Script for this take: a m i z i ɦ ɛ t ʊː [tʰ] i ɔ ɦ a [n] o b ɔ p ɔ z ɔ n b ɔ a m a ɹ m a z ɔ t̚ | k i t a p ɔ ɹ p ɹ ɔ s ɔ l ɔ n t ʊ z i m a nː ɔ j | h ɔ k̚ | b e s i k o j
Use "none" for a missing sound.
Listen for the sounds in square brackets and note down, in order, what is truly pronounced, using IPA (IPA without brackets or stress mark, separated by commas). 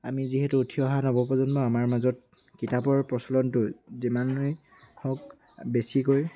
tʰ, n